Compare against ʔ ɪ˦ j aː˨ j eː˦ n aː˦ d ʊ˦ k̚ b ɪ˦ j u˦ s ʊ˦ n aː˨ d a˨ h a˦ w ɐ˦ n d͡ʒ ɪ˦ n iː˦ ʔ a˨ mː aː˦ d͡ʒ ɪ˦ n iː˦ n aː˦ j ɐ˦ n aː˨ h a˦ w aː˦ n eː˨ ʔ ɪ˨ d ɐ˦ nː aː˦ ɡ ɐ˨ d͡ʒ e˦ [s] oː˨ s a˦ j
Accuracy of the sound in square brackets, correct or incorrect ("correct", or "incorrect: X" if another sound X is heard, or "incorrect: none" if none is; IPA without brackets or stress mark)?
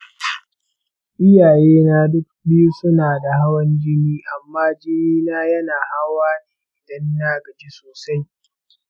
correct